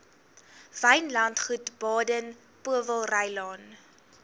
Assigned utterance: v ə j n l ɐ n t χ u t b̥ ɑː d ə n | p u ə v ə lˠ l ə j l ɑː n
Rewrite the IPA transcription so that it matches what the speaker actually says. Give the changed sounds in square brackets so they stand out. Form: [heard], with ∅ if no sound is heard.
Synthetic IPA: v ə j n l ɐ n t χ u t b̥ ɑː d ə n | p u ə v ə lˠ [r] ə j l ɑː n